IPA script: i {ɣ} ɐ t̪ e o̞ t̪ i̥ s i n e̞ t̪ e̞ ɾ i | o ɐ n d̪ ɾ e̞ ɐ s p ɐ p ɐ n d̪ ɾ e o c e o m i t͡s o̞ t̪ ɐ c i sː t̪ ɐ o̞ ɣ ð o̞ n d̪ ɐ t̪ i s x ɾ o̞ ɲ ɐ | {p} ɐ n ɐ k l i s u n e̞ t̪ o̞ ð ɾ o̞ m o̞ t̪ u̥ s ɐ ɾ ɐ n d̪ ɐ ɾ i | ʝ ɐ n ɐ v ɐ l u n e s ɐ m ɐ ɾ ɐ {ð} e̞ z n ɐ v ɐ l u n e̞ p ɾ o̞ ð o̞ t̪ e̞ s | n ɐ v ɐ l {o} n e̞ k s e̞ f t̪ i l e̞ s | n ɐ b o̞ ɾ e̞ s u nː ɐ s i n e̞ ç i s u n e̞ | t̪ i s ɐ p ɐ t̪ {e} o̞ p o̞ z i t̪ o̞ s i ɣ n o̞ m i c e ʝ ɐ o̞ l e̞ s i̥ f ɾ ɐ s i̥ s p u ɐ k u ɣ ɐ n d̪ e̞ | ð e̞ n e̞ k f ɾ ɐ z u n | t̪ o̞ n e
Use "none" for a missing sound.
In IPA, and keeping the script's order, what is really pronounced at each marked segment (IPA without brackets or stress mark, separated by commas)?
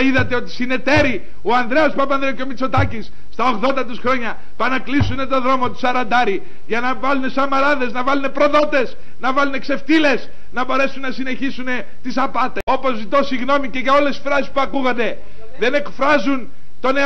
ð, p, ð, u, e